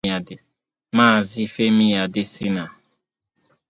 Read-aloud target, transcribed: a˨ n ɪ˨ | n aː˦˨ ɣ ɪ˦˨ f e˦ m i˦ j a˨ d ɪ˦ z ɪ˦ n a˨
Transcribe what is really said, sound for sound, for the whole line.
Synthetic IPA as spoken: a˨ d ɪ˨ | m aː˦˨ z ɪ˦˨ f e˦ m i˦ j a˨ d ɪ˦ s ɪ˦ n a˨

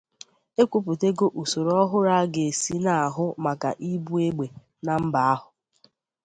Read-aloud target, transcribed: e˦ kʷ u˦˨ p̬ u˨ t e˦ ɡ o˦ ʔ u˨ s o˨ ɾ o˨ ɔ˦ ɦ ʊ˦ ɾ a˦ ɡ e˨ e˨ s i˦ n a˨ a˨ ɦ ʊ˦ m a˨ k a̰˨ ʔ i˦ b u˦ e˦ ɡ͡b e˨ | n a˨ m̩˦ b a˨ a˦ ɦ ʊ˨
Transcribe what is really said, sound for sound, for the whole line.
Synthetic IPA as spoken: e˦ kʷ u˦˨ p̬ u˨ t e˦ ɡ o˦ ʔ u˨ s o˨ ɾ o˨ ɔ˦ ɦ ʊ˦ ɾ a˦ ɡ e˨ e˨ s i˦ n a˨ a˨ ɦ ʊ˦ m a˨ k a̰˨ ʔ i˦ b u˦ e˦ ɡ͡b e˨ | n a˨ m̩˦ b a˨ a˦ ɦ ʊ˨

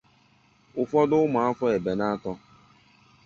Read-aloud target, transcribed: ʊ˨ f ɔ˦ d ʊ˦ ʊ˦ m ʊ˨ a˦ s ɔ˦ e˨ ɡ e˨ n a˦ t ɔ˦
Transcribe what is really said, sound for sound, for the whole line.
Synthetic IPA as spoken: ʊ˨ f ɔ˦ d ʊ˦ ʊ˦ m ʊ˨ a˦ f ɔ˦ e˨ b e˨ n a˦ t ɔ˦

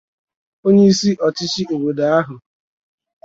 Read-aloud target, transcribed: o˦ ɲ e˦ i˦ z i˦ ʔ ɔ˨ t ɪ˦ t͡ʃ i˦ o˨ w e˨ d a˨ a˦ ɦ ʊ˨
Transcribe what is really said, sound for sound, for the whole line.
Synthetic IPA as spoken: o˦ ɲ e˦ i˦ s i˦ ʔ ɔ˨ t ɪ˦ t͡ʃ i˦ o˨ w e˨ d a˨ a˦ ɦ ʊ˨

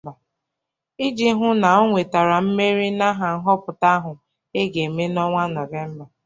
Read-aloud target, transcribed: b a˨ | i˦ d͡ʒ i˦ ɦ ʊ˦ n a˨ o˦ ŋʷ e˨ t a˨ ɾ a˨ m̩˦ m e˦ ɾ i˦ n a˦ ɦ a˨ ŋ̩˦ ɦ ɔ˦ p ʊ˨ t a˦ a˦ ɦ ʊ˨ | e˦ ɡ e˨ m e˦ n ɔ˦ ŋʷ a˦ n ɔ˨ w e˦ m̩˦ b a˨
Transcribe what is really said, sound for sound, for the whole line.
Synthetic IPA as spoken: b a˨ | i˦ d͡ʒ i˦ ɦ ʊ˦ n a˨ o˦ ŋʷ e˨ t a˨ ɾ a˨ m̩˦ m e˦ ɾ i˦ n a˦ ɦ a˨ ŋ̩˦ ɦ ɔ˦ p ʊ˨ t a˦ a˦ ɦ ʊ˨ | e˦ ɡ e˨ m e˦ n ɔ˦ ŋʷ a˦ n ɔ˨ v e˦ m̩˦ b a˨

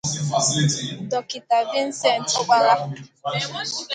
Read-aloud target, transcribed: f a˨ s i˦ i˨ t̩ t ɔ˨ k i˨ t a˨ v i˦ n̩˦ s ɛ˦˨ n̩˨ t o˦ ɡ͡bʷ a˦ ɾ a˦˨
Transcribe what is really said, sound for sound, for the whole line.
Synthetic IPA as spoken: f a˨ s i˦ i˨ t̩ d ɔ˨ k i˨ t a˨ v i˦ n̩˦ s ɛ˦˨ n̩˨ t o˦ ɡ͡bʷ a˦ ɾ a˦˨

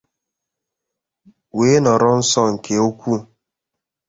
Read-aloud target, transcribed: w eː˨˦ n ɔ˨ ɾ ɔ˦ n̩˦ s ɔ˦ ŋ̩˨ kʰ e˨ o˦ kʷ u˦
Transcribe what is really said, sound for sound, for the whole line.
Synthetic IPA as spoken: w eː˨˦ n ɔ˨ ɾ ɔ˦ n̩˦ s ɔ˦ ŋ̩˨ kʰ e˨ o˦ kʷ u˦

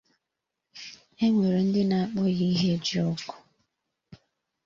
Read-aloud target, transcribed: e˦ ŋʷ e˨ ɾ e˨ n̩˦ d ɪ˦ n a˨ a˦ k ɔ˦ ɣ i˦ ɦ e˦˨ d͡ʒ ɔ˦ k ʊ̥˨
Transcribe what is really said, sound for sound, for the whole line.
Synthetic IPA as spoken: e˦ ŋʷ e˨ ɾ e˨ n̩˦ d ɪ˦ n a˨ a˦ k͡p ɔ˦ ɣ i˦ ɦ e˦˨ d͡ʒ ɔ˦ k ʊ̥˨

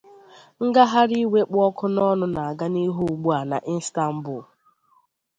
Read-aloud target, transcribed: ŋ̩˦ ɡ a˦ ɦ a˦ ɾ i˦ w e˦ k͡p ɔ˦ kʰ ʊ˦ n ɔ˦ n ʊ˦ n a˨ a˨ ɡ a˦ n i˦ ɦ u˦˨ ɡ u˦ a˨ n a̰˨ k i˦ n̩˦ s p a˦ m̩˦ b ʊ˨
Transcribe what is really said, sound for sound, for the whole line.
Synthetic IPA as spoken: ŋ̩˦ ɡ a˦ ɦ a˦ ɾ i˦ w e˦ k͡p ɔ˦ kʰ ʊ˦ n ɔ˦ n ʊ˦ n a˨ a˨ ɡ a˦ n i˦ ɦ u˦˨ ɡ͡b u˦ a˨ n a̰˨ ʔ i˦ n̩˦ s t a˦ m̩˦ b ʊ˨

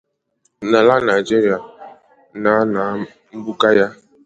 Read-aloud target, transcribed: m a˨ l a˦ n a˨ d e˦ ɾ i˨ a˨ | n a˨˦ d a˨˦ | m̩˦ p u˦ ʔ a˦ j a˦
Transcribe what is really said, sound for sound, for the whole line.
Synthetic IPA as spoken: n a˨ l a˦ n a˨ d͡ʒ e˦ ɾ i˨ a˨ | n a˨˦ n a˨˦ | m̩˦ b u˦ k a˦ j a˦

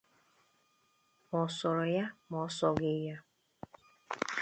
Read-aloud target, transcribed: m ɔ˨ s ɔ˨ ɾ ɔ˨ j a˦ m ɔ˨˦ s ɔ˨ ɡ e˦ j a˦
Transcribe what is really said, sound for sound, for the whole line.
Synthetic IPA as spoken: m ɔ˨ s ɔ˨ ɾ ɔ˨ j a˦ m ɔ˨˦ s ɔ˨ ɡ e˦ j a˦

